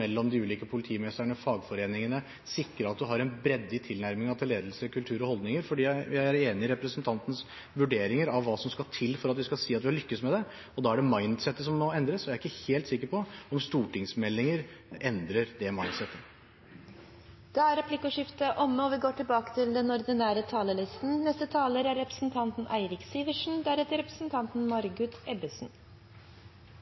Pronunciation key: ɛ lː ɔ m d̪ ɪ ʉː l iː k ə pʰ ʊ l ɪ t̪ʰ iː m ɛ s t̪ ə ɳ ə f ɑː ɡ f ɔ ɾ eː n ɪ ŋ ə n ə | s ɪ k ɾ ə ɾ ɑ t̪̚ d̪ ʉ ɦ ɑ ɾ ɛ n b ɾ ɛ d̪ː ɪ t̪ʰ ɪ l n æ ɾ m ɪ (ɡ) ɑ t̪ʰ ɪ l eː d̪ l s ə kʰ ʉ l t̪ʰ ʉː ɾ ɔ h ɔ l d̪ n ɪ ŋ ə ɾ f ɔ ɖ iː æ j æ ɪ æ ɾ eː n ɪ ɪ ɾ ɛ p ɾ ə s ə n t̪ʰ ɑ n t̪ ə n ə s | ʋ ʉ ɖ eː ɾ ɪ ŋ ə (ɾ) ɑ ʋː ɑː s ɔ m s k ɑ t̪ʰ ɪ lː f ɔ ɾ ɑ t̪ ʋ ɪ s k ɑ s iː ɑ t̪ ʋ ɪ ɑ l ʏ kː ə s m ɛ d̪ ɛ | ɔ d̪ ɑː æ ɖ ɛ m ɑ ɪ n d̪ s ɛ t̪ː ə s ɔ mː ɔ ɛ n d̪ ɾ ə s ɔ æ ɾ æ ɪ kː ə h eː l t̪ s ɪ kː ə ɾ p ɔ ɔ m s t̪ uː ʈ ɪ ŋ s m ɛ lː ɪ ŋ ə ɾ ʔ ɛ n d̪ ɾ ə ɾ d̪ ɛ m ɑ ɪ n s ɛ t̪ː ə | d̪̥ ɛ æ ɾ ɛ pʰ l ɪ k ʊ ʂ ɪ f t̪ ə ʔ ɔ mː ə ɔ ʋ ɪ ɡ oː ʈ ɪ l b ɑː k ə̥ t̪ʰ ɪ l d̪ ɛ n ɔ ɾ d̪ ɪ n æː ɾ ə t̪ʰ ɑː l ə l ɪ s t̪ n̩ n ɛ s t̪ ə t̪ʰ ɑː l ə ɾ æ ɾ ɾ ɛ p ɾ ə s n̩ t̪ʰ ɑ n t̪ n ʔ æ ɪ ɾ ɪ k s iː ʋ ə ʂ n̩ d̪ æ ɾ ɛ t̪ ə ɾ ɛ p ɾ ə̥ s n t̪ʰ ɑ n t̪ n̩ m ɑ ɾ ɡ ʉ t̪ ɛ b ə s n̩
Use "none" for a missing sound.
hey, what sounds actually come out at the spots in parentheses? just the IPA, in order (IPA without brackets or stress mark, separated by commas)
ŋ, ɾ